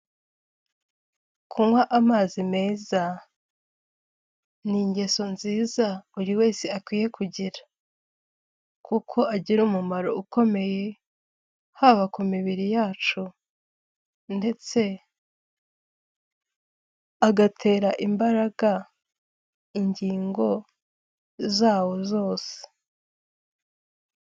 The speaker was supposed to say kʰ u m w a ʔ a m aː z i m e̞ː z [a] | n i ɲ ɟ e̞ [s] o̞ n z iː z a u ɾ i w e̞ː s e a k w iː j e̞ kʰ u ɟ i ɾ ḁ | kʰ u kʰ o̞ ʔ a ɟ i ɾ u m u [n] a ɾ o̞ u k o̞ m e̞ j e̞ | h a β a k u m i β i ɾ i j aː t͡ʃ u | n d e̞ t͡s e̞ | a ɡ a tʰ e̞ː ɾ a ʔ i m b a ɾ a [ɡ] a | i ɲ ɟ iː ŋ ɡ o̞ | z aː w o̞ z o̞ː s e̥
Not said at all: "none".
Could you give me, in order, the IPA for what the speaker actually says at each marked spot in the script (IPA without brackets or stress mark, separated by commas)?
a, s, m, ɡ